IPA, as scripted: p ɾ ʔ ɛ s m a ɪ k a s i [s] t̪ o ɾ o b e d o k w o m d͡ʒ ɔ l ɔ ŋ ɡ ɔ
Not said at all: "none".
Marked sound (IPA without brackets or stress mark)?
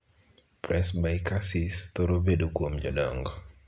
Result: s